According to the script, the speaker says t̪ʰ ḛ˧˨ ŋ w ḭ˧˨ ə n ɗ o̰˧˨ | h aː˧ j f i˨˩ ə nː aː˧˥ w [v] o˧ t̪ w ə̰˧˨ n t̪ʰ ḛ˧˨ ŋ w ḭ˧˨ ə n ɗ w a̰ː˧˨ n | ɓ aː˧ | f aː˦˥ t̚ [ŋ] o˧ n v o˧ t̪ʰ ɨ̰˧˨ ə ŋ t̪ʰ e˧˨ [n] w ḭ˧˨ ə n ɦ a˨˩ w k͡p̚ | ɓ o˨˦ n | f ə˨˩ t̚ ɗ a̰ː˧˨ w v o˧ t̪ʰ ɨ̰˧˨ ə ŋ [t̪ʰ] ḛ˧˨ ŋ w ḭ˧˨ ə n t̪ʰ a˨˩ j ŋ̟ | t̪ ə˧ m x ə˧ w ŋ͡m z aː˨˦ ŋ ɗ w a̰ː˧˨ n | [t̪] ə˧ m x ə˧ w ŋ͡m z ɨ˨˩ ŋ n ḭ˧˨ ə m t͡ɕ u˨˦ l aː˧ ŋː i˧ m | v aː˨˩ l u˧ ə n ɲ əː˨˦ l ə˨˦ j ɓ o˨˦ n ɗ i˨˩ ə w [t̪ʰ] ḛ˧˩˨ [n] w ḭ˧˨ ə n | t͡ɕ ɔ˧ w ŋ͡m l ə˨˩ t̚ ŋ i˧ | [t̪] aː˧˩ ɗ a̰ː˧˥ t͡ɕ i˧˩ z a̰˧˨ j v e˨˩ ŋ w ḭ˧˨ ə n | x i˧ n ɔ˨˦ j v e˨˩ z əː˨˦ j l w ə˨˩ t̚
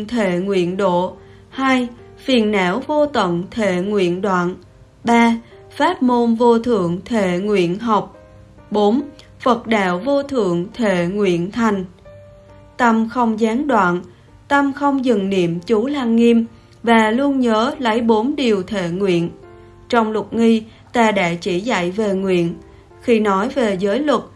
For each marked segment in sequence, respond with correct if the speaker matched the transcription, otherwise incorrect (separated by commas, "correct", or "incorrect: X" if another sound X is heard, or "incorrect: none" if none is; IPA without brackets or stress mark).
correct, incorrect: m, incorrect: ŋ, correct, correct, correct, incorrect: ŋ, correct